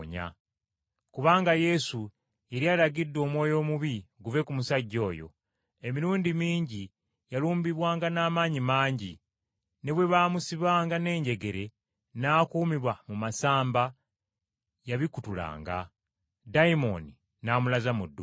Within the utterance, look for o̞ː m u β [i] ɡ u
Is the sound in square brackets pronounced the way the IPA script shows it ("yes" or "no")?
yes